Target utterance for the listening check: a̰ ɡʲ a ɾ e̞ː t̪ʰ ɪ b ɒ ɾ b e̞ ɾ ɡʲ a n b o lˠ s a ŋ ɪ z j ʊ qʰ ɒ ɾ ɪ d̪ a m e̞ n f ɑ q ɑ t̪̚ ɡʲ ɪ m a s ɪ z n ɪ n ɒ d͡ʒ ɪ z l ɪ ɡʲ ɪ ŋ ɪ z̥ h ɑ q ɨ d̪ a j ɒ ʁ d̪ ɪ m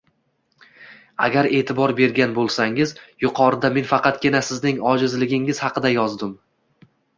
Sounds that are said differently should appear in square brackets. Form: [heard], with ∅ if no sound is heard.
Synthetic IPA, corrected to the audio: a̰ ɡʲ a ɾ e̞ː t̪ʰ ɪ b ɒ ɾ b e̞ ɾ ɡʲ a n b o lˠ s a ŋ ɪ z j ʊ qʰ ɒ ɾ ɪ d̪ a m e̞ n f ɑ q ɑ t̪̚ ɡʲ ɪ [n] a s ɪ z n ɪ [ŋ] ɒ d͡ʒ ɪ z l ɪ ɡʲ ɪ ŋ ɪ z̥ h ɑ q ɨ d̪ a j ɒ [z] d̪ ɪ m